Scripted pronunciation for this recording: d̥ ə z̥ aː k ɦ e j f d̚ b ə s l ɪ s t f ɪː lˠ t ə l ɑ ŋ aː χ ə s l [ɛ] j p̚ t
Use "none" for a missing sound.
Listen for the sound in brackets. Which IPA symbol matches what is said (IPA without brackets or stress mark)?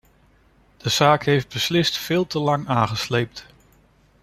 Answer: e